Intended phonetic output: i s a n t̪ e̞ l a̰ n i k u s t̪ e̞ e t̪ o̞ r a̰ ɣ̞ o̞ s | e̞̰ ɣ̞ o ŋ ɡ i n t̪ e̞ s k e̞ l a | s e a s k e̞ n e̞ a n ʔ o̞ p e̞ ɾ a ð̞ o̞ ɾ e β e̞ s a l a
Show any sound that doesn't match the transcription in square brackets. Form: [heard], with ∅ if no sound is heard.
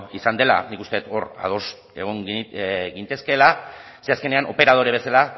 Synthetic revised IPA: i s a n [d̪] e̞ l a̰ n i k u s t̪ e̞ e t̪ o̞ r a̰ [ð̞] o̞ s | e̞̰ ɣ̞ o ŋ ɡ i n t̪ e̞ s k e̞ l a | s e a s k e̞ n e̞ a n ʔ o̞ p e̞ ɾ a ð̞ o̞ ɾ e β e̞ s a l a